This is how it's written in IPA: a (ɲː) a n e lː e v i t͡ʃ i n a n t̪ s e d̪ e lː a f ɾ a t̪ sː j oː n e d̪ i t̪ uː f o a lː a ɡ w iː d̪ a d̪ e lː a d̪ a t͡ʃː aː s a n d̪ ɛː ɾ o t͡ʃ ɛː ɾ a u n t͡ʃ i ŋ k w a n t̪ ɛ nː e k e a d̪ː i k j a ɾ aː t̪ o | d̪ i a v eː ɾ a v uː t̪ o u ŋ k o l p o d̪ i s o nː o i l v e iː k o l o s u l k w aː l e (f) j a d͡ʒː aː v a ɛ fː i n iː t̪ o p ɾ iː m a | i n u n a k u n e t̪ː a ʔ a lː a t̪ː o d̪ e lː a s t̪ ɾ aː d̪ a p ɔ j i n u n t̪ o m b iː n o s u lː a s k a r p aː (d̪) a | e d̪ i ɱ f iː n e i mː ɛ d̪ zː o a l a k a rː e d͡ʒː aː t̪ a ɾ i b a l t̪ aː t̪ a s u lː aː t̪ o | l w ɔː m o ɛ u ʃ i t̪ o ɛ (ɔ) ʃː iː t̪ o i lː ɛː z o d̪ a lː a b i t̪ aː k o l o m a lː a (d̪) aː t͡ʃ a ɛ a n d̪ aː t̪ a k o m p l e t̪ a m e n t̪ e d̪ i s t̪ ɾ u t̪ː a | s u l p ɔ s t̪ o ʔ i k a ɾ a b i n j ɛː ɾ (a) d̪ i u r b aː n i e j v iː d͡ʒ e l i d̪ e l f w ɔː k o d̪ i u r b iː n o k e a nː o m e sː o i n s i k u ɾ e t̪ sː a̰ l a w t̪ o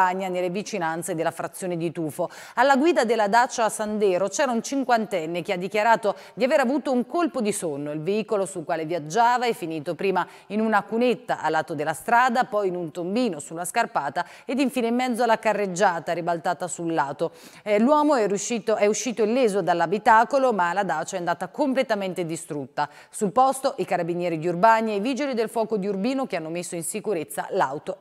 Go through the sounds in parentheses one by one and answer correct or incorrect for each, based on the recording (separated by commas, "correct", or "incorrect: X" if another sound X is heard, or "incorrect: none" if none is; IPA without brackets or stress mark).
correct, incorrect: v, incorrect: t̪, incorrect: u, correct, incorrect: i